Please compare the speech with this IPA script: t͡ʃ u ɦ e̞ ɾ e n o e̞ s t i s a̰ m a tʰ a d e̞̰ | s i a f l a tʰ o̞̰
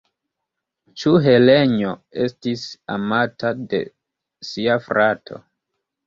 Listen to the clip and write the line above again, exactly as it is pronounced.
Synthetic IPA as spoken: t͡ʃ u ɦ e̞ l e ɲ o e̞ s t i s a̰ m a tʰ a d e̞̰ | s i a f ɾ a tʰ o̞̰